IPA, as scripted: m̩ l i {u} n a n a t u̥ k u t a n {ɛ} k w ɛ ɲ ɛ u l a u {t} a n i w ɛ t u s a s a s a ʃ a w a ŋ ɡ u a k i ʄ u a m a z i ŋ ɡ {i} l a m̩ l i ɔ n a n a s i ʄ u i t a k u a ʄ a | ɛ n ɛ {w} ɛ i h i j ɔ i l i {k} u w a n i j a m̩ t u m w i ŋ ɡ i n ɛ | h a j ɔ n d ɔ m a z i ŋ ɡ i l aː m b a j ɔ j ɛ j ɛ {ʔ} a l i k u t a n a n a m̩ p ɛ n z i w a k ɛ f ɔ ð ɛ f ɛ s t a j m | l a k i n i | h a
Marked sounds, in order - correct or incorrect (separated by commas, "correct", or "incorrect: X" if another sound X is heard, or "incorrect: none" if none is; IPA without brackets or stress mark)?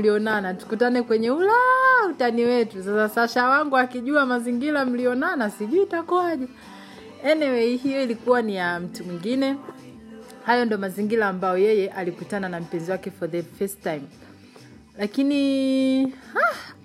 incorrect: ɔ, correct, correct, correct, correct, correct, correct